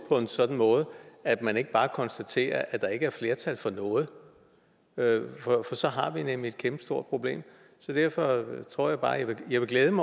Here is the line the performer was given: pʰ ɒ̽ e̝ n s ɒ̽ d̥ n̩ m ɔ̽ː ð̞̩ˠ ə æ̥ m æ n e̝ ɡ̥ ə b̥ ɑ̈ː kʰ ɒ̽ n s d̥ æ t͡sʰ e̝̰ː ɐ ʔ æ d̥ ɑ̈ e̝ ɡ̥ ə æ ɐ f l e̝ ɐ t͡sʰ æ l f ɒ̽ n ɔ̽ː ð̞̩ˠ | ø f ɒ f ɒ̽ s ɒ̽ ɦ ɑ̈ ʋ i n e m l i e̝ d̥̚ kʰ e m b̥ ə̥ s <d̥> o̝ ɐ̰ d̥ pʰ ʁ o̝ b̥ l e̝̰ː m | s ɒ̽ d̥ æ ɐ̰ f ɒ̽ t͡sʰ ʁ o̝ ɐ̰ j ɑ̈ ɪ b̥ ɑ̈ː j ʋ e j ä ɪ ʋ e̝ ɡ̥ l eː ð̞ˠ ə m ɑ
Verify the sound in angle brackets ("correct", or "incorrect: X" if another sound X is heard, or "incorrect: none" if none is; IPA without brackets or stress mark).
correct